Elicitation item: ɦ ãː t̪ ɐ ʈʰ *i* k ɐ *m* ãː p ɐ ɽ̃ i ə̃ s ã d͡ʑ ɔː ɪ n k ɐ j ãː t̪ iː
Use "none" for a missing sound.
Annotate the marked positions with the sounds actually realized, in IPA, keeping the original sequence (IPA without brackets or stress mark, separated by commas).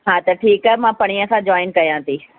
iː, m